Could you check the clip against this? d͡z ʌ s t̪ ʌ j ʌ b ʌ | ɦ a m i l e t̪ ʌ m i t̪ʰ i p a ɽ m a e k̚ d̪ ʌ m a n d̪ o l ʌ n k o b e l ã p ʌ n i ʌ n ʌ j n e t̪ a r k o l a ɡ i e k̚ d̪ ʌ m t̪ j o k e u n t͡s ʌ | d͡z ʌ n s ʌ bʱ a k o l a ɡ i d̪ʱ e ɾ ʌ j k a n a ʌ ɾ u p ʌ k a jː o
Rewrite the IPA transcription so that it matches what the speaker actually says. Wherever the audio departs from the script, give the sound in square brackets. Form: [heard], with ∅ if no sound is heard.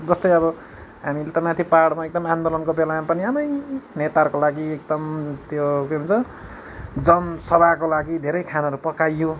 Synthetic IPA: d͡z ʌ s t̪ ʌ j ʌ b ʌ | ɦ a m i l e t̪ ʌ m [a] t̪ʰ i p a ɽ m a e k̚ d̪ ʌ m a n d̪ o l ʌ n k o b e l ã p ʌ n i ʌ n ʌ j n e t̪ a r k o l a ɡ i e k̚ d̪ ʌ m t̪ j o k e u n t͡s ʌ | d͡z ʌ n s ʌ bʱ a k o l a ɡ i d̪ʱ e ɾ ʌ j [kʰ] a n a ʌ ɾ u p ʌ k a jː o